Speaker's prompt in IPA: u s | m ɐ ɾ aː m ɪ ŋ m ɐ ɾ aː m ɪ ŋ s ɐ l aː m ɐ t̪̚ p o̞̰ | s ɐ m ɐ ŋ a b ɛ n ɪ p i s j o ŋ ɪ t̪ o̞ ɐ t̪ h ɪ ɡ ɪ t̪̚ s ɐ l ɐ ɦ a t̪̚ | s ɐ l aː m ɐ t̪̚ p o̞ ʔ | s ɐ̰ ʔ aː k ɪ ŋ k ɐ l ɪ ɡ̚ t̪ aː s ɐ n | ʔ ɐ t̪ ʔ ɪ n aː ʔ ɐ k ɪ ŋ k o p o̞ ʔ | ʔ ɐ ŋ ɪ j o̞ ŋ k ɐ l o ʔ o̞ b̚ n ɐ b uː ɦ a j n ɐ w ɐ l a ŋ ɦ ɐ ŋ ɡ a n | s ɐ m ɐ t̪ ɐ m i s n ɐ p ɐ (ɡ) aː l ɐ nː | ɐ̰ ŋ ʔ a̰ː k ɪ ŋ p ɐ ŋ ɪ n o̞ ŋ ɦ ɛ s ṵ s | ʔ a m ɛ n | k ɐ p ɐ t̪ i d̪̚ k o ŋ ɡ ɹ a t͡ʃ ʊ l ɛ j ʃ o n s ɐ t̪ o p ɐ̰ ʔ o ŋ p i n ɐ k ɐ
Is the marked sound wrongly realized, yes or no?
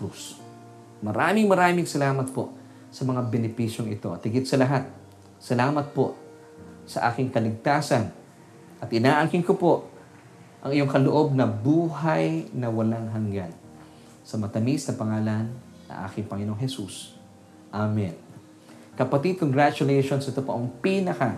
yes